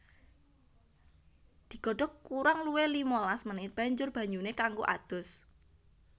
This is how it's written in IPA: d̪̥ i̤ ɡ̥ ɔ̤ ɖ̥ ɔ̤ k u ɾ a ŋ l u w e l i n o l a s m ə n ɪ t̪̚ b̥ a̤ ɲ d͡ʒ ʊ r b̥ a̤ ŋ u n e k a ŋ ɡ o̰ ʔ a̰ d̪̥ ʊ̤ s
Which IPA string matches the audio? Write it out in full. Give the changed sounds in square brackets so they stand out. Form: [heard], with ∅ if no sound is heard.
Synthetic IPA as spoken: d̪̥ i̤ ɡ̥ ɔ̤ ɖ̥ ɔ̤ k u ɾ a ŋ l u w e l i [m] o l a s m ə n ɪ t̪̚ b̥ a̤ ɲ d͡ʒ ʊ r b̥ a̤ [ɲ] u n e k a ŋ ɡ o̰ ʔ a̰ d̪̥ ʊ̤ s